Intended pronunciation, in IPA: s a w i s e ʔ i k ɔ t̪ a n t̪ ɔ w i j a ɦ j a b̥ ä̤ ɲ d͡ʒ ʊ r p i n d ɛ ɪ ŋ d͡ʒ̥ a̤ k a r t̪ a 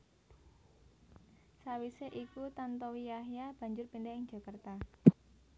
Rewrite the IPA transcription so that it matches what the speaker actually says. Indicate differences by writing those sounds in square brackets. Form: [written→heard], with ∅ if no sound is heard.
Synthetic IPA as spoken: s a w i s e ʔ i k [ɔ→u] t̪ a n t̪ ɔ w i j a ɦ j a b̥ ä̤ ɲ d͡ʒ ʊ r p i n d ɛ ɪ ŋ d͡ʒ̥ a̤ k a r t̪ a